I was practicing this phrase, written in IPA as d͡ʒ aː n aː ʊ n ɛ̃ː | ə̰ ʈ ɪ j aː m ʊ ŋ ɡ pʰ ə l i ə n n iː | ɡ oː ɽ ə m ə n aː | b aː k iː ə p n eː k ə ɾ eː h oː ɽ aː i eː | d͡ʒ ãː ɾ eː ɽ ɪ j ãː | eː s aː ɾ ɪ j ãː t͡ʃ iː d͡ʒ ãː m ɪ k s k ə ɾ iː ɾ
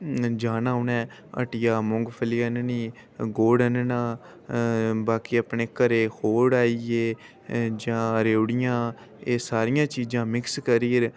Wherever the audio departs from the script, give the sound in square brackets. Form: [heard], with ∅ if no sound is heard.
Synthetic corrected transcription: d͡ʒ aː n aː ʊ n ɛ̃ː | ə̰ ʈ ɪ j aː m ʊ ŋ ɡ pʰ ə l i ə n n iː | ɡ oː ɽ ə [n] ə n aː | b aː k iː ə p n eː k ə ɾ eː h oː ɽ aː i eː | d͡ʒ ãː ɾ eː ɽ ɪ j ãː | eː s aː ɾ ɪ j ãː t͡ʃ iː d͡ʒ ãː m ɪ k s k ə ɾ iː ɾ

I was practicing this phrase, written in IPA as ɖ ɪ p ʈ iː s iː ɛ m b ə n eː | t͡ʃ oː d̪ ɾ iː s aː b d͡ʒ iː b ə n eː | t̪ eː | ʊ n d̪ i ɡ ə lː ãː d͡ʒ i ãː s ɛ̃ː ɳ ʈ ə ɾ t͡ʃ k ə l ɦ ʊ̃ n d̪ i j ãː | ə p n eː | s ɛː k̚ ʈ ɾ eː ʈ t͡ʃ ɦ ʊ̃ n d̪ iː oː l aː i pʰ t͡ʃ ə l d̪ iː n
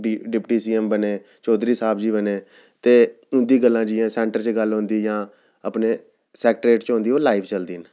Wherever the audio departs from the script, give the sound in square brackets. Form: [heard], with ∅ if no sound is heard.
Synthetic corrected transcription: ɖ ɪ p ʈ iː s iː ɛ m b ə n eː | t͡ʃ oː d̪ ɾ iː s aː b d͡ʒ iː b ə n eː | t̪ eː | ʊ n d̪ [iː] ɡ ə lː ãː d͡ʒ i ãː s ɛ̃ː ɳ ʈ ə ɾ t͡ʃ [ɡ] ə l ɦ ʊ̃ n d̪ [iː] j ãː | ə p n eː | s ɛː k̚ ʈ ɾ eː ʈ t͡ʃ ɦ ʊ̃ n d̪ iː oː l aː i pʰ t͡ʃ ə l d̪ iː n

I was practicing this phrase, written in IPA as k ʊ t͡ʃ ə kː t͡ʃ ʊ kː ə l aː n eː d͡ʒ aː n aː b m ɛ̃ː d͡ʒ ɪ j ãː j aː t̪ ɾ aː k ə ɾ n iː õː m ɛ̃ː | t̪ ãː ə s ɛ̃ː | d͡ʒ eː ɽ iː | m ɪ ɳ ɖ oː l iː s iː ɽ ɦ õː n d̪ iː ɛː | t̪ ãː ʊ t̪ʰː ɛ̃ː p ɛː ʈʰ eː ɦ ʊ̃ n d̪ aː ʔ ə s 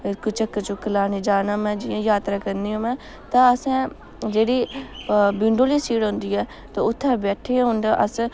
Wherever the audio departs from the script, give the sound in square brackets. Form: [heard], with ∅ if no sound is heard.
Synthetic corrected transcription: k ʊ t͡ʃ ə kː t͡ʃ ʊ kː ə l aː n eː d͡ʒ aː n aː [∅] m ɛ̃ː d͡ʒ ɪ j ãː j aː t̪ ɾ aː k ə ɾ n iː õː m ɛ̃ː | t̪ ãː ə s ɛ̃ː | d͡ʒ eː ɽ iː | [b] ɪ ɳ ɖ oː l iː s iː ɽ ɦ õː n d̪ iː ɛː | t̪ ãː ʊ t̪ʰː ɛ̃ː [b] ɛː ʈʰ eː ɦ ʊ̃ n d̪ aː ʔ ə s

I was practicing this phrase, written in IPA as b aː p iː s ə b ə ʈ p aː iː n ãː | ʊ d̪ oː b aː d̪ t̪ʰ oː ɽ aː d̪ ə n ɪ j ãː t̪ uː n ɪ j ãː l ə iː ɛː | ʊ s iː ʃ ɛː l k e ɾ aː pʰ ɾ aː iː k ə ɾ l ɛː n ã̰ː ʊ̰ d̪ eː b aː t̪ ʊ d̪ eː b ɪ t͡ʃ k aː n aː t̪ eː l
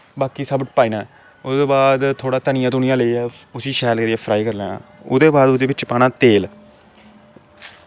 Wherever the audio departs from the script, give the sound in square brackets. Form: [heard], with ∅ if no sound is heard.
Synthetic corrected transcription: b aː [k] iː s ə b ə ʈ p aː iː n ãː | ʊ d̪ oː b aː d̪ t̪ʰ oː ɽ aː [t̪] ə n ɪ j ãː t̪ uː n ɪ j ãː l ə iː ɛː | ʊ s iː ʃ ɛː l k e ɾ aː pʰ ɾ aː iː k ə ɾ l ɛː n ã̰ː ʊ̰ d̪ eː b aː [d̪] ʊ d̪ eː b ɪ t͡ʃ [p] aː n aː t̪ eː l

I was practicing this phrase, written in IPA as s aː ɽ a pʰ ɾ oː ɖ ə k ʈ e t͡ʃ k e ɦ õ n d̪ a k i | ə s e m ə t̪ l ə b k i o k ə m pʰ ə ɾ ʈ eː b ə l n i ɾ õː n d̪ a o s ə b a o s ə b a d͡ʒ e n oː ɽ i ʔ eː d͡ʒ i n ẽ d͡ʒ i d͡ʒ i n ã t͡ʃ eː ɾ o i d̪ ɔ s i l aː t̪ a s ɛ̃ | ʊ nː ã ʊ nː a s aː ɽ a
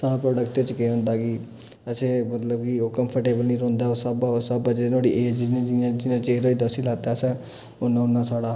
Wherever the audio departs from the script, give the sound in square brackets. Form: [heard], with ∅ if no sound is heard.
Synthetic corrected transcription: s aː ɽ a [p] ɾ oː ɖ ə k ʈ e t͡ʃ k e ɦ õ n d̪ a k i | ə s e m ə t̪ l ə b k i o k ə m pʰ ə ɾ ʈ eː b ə l n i ɾ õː n d̪ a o s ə b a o s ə b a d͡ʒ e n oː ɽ i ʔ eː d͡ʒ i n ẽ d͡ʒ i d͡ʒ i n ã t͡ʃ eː ɾ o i d̪ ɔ s i l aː t̪ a s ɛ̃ | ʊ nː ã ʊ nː a s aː ɽ a

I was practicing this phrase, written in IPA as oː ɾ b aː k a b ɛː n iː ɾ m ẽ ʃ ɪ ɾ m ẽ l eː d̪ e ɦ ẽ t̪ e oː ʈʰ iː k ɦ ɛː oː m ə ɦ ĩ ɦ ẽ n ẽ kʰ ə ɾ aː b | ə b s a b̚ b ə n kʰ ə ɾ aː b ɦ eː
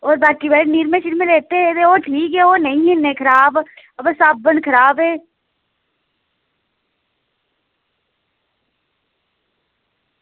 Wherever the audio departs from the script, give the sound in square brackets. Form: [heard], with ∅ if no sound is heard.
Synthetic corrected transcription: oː ɾ b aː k [i] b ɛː n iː ɾ m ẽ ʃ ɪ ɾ m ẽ l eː [t̪] e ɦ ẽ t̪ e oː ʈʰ iː k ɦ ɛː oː [n] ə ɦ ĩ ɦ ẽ n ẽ kʰ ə ɾ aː b | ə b s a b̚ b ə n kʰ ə ɾ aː b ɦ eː

